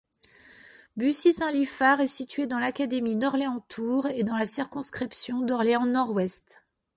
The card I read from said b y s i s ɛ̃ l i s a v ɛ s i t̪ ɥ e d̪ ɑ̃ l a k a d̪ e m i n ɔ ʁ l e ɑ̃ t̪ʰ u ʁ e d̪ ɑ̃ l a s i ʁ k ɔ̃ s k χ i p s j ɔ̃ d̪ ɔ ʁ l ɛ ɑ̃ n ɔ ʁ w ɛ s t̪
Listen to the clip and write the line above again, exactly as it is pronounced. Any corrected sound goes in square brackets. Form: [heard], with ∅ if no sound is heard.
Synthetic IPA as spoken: b y s i s ɛ̃ l i [f] a [ʁ] ɛ s i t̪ ɥ e d̪ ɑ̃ l a k a d̪ e m i n ɔ ʁ l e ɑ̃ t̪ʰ u ʁ e d̪ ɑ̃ l a s i ʁ k ɔ̃ s k χ i p s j ɔ̃ d̪ ɔ ʁ l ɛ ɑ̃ n ɔ ʁ w ɛ s t̪